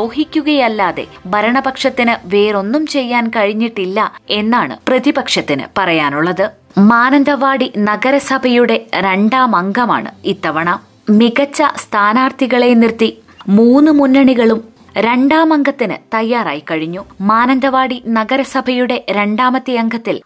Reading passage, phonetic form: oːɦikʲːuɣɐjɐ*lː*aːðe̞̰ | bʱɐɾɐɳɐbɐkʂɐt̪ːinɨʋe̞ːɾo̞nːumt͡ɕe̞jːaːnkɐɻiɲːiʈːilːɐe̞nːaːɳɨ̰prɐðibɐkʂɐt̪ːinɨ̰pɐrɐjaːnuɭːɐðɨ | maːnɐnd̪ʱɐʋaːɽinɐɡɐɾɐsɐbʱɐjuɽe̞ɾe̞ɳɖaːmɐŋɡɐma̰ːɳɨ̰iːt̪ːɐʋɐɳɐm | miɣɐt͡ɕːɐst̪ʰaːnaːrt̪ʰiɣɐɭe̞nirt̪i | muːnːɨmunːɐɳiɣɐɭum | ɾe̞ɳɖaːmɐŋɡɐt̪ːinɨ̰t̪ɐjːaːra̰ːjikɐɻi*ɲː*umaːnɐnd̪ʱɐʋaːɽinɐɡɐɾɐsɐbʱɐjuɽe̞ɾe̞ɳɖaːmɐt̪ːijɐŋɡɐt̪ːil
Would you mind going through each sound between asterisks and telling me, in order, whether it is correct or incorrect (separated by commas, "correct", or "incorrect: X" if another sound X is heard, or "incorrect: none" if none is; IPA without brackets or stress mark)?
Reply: correct, correct